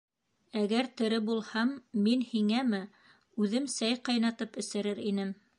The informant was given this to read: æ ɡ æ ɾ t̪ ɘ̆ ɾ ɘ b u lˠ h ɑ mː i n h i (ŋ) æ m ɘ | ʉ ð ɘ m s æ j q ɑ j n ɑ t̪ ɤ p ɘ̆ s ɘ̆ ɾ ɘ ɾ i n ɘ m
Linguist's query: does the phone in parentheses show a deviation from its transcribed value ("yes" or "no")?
no